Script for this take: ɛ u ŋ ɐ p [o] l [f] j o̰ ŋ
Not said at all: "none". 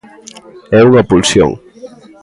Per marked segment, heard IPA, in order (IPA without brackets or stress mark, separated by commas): u, s